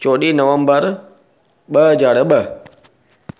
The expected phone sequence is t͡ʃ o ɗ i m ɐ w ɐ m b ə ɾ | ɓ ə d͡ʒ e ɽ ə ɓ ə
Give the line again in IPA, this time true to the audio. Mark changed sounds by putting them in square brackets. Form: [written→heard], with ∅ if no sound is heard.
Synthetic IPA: t͡ʃ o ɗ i [m→n] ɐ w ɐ m b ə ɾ | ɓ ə d͡ʒ [e→a] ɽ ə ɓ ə